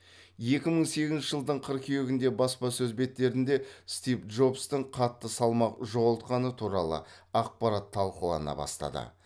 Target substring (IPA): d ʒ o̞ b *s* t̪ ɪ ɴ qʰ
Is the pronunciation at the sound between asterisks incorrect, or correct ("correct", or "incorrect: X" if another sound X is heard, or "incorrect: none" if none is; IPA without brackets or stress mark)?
correct